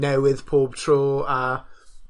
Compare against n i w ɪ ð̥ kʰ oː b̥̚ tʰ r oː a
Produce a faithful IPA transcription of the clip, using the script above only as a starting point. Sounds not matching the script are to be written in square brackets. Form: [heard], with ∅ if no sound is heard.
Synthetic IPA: n [ɛ] w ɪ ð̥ [pʰ] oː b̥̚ tʰ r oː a